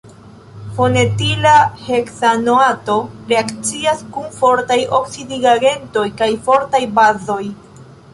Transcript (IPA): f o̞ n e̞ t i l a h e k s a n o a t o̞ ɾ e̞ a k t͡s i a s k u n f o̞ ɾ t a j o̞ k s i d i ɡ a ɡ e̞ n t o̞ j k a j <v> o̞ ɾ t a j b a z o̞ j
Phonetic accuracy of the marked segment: incorrect: f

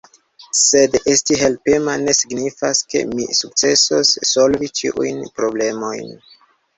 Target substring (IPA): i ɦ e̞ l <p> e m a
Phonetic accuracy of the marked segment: correct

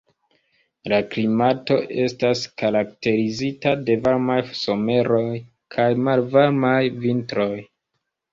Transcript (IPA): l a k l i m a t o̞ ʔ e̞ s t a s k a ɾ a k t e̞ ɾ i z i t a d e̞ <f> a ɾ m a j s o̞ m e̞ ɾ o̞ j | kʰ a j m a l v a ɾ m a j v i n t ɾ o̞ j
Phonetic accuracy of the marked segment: incorrect: v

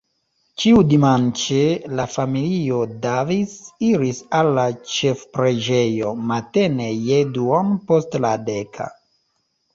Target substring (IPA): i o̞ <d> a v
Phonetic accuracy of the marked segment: correct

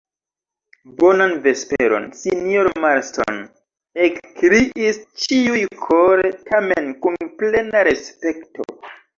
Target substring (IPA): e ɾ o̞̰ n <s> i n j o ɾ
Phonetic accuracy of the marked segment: correct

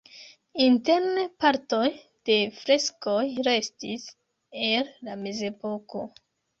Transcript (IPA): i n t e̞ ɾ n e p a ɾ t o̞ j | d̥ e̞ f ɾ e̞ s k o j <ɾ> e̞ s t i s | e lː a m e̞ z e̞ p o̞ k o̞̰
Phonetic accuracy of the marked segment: correct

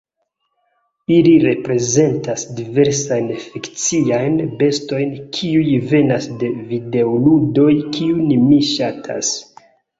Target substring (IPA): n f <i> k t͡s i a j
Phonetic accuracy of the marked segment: correct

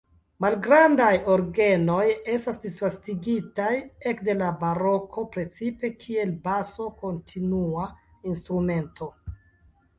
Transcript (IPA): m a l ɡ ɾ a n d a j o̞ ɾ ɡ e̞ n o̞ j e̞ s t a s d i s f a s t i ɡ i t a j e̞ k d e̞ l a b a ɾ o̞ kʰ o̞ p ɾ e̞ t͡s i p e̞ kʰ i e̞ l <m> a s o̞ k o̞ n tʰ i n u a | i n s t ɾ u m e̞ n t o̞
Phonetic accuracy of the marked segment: incorrect: b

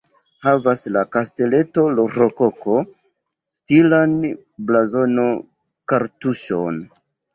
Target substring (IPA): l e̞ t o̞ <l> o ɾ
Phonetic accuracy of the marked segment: correct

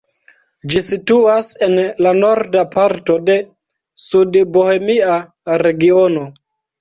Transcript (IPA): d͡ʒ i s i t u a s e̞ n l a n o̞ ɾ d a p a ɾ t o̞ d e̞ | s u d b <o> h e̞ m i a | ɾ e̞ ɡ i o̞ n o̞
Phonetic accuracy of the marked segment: correct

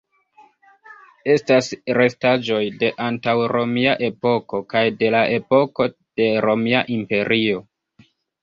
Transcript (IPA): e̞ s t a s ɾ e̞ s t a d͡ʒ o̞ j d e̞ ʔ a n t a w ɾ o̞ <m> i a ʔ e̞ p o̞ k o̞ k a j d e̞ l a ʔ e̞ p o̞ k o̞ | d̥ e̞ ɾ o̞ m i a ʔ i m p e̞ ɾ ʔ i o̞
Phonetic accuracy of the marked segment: correct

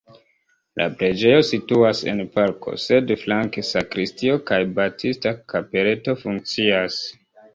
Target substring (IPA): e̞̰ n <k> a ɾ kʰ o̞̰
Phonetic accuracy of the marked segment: incorrect: p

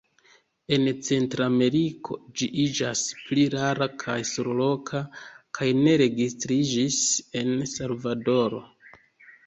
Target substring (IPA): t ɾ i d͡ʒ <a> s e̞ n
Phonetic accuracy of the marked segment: incorrect: i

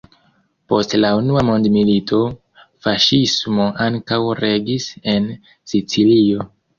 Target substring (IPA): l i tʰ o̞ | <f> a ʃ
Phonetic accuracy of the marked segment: correct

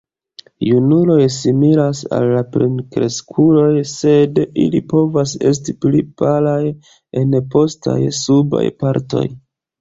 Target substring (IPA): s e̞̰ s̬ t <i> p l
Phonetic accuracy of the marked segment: correct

